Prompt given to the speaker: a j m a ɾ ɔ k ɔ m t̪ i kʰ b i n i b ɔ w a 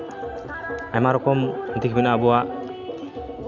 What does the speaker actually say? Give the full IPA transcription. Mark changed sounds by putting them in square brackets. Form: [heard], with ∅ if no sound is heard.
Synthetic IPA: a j m a ɾ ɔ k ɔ m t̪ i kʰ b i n [a] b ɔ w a

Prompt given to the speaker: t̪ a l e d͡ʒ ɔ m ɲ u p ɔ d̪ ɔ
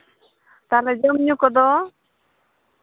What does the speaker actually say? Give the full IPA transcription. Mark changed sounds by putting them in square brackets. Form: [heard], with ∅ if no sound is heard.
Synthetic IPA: t̪ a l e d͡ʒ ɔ m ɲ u [k] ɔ d̪ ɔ

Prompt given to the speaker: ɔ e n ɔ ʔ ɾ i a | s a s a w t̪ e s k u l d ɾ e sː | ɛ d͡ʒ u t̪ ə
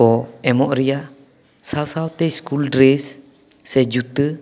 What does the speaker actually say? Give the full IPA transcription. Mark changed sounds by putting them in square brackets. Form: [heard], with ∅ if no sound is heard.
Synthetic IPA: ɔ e [m] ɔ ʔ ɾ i a | s a s a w t̪ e s k u l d ɾ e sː | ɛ d͡ʒ u t̪ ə

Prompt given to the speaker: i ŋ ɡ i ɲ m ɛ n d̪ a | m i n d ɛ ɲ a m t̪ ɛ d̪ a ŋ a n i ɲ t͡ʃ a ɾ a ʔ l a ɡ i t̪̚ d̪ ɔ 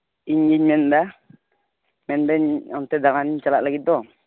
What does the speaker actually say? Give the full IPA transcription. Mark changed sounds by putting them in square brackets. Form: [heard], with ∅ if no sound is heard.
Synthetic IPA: i [ɲ] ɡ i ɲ m ɛ n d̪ a | m [ɛ] n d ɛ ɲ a m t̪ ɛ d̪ a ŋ a n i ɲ t͡ʃ a [l] a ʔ l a ɡ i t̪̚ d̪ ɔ

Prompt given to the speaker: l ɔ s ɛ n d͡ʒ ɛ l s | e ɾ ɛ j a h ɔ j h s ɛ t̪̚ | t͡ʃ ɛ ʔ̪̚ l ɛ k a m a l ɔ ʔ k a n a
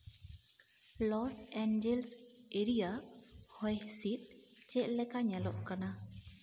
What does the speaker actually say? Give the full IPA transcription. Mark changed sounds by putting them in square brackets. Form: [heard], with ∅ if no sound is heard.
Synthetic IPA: l ɔ s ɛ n d͡ʒ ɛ l s | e ɾ [i] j a h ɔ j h s [i] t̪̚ | t͡ʃ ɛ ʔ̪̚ l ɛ k a [ɲ] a l ɔ ʔ k a n a

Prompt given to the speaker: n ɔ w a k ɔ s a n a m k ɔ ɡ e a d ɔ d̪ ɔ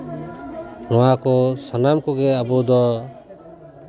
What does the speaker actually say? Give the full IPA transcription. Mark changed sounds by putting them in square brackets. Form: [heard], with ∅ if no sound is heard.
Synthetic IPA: n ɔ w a k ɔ s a n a m k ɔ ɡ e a [b] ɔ d̪ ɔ

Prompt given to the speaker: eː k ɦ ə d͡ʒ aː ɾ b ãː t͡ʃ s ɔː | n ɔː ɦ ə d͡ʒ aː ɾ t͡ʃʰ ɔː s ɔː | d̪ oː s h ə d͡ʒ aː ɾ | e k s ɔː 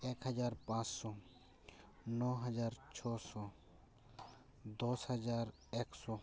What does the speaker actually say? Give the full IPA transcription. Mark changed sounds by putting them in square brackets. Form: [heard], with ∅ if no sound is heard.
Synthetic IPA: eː k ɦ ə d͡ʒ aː ɾ [p] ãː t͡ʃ s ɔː | n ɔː ɦ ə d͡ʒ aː ɾ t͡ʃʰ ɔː s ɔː | d̪ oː s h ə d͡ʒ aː ɾ | e k s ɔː

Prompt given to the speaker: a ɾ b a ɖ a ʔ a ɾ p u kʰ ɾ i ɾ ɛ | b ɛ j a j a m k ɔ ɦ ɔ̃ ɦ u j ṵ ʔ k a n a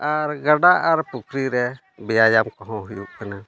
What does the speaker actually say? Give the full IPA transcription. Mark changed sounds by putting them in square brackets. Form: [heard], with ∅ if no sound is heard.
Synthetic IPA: a ɾ [ɡ] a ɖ a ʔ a ɾ p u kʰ ɾ i ɾ ɛ | b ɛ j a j a m k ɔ ɦ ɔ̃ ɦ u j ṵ ʔ k a n a

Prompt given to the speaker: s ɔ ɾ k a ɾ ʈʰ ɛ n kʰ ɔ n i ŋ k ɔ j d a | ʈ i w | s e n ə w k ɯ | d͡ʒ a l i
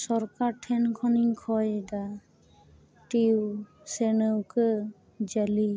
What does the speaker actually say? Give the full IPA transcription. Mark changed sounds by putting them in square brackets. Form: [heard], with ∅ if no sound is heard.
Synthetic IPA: s ɔ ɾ k a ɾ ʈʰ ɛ n kʰ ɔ n i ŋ [kʰ] ɔ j d a | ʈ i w | s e n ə w k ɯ | d͡ʒ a l i

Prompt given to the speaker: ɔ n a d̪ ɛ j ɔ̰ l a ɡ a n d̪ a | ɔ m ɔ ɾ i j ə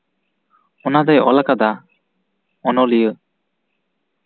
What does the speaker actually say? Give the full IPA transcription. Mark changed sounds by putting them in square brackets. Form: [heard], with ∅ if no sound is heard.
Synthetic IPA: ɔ n a d̪ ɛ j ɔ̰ l a [k] a [∅] d̪ a | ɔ [n] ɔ [l] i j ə

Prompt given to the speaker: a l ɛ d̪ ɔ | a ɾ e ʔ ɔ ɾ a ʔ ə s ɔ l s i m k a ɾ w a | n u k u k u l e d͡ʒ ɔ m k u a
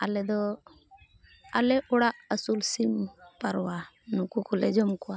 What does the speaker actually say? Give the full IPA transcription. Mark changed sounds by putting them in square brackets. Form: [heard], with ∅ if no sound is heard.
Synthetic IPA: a l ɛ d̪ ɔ | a [l] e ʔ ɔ [ɽ] a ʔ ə s [u] l s i m [p] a ɾ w a | n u k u k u l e d͡ʒ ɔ m k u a

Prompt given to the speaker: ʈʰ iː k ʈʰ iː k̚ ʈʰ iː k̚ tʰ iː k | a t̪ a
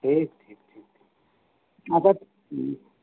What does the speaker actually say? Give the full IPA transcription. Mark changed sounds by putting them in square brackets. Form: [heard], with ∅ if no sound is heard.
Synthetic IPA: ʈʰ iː k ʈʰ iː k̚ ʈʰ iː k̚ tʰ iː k | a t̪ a

